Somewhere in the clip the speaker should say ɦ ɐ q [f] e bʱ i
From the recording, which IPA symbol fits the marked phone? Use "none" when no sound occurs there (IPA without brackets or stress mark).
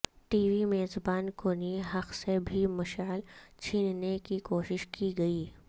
s